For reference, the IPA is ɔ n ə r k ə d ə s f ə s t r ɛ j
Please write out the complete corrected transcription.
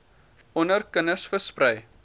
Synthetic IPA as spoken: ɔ n ə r k ə n ə s f ə s p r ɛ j